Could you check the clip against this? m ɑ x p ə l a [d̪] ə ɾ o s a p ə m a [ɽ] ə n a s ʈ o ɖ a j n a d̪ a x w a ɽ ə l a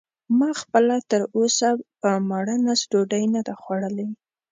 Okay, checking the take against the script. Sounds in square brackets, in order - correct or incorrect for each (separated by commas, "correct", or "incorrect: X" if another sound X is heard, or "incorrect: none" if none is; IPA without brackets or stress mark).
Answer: incorrect: t̪, correct